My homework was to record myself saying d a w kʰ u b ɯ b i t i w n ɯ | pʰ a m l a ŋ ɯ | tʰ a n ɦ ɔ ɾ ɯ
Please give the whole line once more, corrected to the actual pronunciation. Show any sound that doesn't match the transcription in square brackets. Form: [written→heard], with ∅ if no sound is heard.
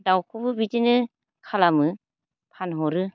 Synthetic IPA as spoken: d a w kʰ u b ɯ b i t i [w→∅] n ɯ | [pʰ→kʰ] a [m→∅] l a [ŋ→m] ɯ | [tʰ→pʰ] a n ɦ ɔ ɾ ɯ

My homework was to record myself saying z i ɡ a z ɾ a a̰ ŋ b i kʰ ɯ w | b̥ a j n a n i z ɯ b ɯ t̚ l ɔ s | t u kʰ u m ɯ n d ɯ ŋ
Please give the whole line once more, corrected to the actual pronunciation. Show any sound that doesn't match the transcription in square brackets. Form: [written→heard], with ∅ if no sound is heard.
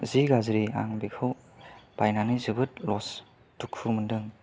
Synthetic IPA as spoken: z i ɡ a z ɾ [a→i] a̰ ŋ b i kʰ ɯ w | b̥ a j n a n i z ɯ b ɯ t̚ l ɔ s | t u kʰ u m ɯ n d ɯ ŋ

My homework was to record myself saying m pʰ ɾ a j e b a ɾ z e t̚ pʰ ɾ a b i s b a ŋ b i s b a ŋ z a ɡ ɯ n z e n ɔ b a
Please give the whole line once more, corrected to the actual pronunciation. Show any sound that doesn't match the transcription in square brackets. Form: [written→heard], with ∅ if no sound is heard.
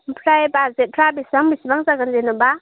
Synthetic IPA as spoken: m pʰ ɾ a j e b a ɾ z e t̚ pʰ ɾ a b i s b a ŋ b i s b a ŋ z a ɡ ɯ n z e n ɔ b a

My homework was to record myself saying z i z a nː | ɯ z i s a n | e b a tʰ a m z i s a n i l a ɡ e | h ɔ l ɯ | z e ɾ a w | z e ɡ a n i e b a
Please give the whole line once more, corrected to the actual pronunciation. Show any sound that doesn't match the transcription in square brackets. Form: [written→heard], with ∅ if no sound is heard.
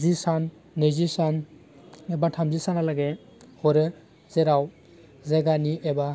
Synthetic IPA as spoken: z i [z→s] a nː | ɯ z i s a n | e b a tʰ a m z i s a n [i→a] l a ɡ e | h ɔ [l→ɾ] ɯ | z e ɾ a w | z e ɡ a n i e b a

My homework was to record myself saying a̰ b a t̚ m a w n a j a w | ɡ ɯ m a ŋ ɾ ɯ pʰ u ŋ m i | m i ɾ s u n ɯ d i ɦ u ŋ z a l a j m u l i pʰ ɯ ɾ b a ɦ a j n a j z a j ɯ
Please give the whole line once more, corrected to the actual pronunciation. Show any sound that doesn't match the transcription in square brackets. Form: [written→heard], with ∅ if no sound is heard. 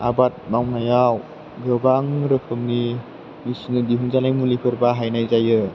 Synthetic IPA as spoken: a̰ b a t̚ m a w n a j a w | ɡ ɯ [m→b] a ŋ ɾ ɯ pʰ [u→ɯ] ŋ [m→n] i | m i [ɾ→∅] s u n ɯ d i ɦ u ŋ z a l a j m u l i pʰ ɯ ɾ b a ɦ a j n a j z a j ɯ

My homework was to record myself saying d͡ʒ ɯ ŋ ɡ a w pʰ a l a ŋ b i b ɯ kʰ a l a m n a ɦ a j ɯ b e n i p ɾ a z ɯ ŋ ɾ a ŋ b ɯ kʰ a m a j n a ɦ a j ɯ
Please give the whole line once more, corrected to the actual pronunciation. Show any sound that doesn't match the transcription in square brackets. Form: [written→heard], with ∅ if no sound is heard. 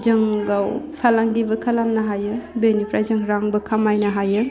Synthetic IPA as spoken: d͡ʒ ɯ ŋ ɡ a w pʰ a l a ŋ [b→ɡ] i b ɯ kʰ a l a m n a ɦ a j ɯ b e n i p ɾ a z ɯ ŋ ɾ a ŋ b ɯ kʰ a m a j n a ɦ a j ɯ

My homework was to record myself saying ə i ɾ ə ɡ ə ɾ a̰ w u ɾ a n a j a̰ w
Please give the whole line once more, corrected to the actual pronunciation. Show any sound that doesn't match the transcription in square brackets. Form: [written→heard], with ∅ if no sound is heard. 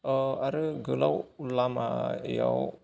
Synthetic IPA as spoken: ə [i→a] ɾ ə ɡ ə [ɾ→l] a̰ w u [ɾ→l] a [n→m] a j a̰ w

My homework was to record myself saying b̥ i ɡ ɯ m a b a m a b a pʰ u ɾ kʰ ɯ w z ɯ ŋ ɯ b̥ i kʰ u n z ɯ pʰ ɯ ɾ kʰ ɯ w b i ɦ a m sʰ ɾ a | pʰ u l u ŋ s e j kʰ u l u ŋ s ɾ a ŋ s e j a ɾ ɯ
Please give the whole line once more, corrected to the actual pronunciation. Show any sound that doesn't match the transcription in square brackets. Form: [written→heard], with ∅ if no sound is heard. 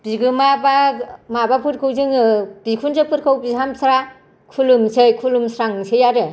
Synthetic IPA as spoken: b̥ i ɡ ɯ m a b a m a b a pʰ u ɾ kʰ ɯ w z ɯ ŋ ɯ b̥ i kʰ u n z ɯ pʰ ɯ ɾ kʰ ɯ w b i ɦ a m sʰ ɾ a | [pʰ→kʰ] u l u [ŋ→m] s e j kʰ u l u [ŋ→m] s ɾ a ŋ s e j a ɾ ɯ

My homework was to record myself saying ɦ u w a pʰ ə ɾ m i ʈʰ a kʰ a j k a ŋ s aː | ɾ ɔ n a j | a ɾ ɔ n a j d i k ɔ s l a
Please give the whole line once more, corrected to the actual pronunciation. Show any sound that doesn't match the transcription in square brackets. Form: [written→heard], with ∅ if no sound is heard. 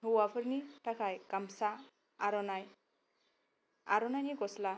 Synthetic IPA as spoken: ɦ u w a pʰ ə ɾ [m→n] i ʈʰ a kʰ a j k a [ŋ→m] s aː | ɾ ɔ n a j | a ɾ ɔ n a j [d→n] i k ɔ s l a

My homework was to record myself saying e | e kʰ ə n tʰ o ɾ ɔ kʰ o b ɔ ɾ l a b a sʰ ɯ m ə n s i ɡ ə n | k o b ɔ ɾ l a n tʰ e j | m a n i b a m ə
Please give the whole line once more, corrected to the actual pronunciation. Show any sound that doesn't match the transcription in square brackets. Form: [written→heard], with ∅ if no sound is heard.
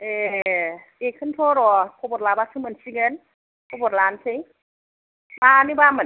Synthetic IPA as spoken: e | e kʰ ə n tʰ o ɾ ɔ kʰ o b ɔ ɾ l a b a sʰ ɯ m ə n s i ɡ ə n | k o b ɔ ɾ l a n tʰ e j | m a n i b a m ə

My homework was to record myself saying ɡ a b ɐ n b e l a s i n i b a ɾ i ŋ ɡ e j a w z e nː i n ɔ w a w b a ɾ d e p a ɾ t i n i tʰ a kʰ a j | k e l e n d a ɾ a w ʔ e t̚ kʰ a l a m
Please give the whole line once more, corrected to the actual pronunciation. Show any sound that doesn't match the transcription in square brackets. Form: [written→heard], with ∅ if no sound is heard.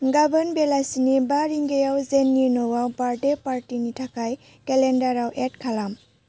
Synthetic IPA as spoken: ɡ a b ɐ n b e l a s i n i b a ɾ i ŋ ɡ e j a w z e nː i n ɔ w a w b a ɾ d e p a ɾ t i n i tʰ a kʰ a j | k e l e n d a ɾ a w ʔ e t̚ kʰ a l a m

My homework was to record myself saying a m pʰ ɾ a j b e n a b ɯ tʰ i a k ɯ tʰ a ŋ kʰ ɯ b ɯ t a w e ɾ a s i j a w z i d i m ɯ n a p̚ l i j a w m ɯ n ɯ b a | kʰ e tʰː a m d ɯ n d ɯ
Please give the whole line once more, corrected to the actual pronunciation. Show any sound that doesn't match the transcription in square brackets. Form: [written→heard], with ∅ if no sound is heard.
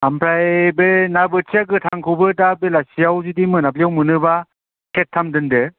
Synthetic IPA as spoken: a m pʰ ɾ a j b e n a b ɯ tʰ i a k ɯ tʰ a ŋ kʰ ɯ b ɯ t a [w→b] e [ɾ→l] a s i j a w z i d i m ɯ n a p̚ l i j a w m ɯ n ɯ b a | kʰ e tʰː a m d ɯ n d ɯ

